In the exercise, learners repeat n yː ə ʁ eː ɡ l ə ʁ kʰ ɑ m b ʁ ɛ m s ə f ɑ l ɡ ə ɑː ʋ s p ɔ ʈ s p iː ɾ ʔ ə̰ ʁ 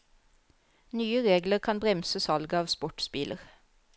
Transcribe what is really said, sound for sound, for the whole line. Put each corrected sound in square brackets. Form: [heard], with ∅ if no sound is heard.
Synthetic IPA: n yː ə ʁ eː ɡ l ə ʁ kʰ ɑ [n] b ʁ ɛ m s ə [s] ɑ l ɡ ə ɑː ʋ s p ɔ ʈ s p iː [l] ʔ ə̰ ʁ